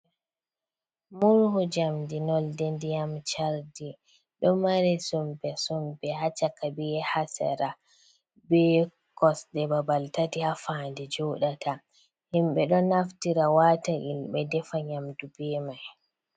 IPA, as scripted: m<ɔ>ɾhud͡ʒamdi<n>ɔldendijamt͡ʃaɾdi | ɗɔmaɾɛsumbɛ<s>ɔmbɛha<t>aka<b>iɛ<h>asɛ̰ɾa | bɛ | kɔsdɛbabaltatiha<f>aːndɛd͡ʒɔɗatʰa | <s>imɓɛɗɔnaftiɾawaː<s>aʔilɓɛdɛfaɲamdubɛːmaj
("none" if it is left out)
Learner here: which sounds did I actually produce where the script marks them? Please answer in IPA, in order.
u, n, s, t͡ʃ, b, h, f, h, t

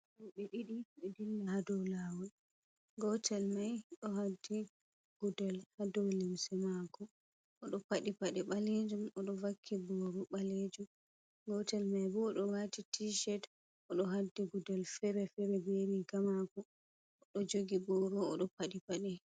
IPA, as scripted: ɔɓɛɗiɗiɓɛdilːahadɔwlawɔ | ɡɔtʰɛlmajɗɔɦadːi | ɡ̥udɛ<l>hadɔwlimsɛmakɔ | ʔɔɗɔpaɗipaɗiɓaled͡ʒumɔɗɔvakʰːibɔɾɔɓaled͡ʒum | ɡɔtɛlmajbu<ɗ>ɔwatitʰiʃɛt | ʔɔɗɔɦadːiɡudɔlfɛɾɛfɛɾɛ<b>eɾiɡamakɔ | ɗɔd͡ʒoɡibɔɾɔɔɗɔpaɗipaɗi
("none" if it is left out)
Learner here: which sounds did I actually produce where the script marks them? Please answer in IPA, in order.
l, ɗ, b

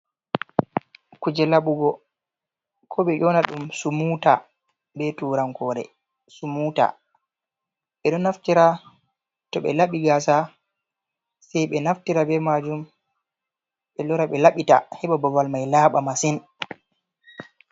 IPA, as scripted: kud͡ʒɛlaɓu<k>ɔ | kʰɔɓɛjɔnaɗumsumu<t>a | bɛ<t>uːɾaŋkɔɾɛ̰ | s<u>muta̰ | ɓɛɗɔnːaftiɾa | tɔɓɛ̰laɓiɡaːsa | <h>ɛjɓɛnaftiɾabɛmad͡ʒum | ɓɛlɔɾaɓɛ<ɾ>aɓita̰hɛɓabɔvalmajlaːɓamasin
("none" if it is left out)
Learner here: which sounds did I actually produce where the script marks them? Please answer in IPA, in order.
ɡ, t, t, u, s, l

